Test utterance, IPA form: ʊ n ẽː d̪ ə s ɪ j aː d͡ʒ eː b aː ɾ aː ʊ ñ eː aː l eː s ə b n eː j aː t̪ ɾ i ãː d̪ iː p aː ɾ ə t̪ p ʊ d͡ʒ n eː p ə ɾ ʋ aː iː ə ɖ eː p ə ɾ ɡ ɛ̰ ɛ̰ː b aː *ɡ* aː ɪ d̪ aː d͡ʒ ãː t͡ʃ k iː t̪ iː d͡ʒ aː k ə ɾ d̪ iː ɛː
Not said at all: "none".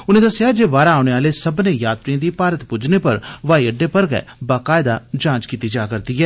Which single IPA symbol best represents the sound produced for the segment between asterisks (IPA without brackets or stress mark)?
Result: k